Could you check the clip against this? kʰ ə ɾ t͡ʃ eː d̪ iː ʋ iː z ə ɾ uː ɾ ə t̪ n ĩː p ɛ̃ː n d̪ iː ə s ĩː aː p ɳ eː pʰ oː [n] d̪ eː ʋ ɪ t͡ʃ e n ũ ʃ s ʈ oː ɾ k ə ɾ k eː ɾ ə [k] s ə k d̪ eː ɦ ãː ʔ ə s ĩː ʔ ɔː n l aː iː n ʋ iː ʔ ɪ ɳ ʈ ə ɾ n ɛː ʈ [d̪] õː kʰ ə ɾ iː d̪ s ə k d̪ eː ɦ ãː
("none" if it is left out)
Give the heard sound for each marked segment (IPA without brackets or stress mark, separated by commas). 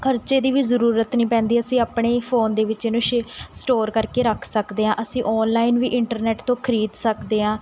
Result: n, kʰ, t̪